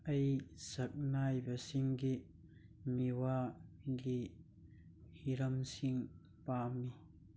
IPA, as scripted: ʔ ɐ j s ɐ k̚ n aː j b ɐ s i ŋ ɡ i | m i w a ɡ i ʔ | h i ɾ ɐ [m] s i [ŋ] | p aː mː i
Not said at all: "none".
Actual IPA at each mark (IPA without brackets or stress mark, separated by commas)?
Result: m, ŋ